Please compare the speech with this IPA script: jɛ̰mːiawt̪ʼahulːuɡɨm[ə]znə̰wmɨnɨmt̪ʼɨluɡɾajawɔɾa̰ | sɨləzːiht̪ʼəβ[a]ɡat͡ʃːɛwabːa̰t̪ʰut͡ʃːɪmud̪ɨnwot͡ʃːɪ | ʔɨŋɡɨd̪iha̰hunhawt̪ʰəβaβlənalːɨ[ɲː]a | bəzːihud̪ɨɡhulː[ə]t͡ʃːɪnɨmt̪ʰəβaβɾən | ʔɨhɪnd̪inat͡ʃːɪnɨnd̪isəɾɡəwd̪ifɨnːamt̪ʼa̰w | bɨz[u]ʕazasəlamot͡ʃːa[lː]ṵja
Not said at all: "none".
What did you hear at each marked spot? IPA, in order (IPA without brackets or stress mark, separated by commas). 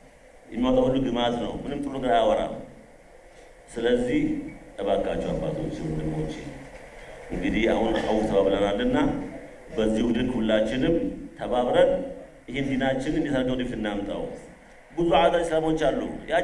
a, a, nː, a, u, lː